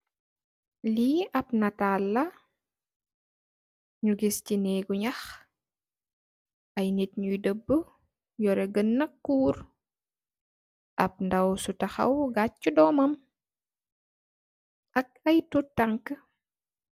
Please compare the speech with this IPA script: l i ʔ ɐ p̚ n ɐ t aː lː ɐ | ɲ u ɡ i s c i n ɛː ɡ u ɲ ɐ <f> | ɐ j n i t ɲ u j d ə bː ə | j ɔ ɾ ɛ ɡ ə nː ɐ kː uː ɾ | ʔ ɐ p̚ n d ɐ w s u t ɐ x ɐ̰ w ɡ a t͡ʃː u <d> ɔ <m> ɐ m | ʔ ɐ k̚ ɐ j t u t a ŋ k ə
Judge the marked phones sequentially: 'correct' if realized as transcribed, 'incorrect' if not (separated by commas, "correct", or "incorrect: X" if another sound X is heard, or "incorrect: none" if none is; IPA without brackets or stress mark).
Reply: incorrect: x, correct, correct